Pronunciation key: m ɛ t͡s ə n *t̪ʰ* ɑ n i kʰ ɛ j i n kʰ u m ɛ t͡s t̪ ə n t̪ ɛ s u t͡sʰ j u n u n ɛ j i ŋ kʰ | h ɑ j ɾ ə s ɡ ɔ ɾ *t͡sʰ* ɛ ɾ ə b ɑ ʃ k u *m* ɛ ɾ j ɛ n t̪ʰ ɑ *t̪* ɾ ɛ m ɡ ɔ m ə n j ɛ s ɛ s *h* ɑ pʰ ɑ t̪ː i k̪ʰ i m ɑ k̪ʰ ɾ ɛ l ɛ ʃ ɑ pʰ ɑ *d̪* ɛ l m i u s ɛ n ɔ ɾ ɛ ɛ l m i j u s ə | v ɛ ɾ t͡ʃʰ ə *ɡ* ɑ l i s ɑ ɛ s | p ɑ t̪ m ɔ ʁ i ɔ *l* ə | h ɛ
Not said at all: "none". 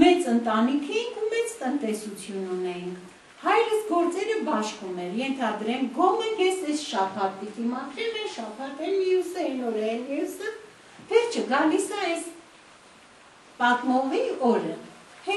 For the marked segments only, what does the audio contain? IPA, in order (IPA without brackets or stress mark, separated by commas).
t̪, t͡s, m, d̪, ʃ, t̪, ɡ, ɾ